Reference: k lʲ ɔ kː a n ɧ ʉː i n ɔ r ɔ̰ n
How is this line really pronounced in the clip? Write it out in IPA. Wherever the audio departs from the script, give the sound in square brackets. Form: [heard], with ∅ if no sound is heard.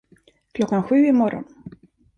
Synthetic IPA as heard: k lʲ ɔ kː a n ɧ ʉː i [m] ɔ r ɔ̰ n